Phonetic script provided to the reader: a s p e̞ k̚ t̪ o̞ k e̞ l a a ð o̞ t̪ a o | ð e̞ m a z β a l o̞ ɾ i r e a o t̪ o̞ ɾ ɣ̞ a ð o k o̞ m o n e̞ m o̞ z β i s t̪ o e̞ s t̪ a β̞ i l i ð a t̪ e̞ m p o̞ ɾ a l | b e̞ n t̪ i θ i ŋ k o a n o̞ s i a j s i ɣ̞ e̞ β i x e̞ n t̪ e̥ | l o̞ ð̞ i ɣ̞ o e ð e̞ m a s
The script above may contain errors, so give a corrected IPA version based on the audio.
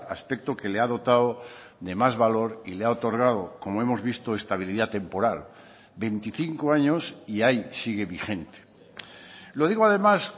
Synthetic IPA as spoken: a s p e̞ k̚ t̪ o̞ k e̞ l e a ð o̞ t̪ a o | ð e̞ m a z β a l o̞ ɾ i l e a o t̪ o̞ ɾ ɣ̞ a ð o k o̞ m o e̞ m o̞ z β i s t̪ o e̞ s t̪ a β̞ i l i ð a t̪ e̞ m p o̞ ɾ a l | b e̞ n t̪ i θ i ŋ k o a ɲ o̞ s i a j s i ɣ̞ e̞ β i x e̞ n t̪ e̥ | l o̞ ð̞ i ɣ̞ o a ð e̞ m a s